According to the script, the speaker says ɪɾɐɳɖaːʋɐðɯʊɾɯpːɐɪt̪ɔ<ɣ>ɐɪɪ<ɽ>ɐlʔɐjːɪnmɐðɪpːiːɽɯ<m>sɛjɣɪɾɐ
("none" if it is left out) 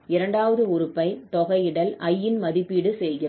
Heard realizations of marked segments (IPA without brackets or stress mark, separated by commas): ɣ, ɽ, none